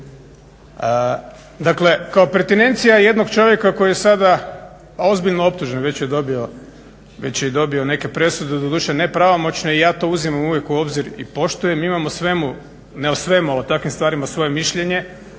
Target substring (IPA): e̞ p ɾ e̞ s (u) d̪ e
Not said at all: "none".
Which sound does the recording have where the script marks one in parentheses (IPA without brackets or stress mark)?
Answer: u